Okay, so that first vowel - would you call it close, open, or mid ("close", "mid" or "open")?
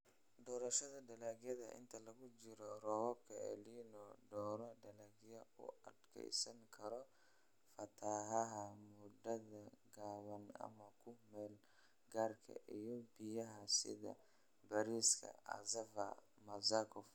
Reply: mid